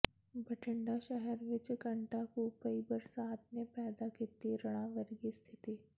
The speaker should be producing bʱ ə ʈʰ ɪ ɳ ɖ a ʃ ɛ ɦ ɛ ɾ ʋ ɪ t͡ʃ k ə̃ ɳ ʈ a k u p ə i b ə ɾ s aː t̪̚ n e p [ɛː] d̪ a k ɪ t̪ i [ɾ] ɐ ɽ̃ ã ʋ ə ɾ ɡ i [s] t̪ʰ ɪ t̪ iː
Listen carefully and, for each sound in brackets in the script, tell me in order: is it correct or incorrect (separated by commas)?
correct, correct, correct